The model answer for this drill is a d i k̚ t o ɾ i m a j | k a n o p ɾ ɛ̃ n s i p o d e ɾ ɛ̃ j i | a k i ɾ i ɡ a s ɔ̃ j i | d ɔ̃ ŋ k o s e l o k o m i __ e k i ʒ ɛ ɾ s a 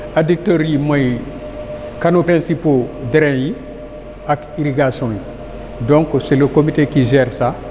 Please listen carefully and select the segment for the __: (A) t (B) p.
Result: A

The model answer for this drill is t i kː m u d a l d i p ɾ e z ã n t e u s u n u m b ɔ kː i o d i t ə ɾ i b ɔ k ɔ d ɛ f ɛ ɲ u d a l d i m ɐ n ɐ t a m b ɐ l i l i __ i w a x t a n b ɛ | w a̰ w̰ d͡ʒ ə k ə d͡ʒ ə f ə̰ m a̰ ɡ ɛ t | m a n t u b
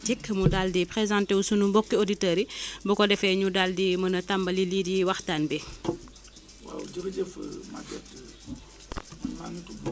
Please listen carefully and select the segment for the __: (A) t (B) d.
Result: B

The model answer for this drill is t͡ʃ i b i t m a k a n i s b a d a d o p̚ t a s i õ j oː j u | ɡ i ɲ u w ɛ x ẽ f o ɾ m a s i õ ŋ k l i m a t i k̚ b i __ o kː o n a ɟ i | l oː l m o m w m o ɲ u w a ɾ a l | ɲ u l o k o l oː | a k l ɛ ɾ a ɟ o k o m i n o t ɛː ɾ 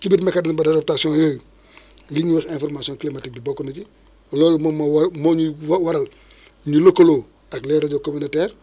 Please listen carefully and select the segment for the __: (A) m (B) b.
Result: B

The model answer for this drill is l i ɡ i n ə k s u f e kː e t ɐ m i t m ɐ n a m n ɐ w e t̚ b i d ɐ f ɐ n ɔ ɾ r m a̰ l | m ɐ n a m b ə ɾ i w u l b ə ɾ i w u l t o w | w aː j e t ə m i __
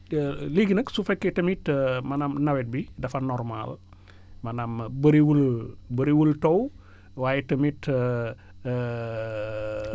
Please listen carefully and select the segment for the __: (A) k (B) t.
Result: B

